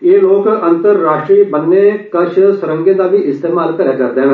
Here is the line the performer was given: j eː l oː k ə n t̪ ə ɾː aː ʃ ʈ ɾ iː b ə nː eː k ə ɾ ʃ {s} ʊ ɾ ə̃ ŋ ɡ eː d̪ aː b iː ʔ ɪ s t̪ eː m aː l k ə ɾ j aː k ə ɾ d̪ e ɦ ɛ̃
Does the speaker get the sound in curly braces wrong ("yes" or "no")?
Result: no